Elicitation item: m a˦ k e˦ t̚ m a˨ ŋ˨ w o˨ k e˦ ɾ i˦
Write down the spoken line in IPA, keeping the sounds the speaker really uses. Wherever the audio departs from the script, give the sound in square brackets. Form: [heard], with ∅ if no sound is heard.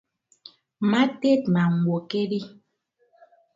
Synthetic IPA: m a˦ [t] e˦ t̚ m a˨ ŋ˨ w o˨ k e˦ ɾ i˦